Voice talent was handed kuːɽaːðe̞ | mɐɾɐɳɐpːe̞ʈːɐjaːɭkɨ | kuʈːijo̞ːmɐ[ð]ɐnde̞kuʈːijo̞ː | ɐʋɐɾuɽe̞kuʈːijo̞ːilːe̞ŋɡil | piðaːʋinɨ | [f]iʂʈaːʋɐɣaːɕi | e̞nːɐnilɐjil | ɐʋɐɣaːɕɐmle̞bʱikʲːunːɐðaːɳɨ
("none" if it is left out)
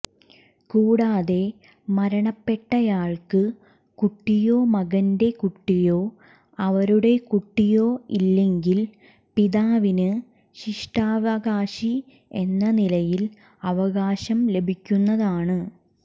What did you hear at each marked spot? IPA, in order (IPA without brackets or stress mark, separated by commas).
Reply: ɣ, ɕ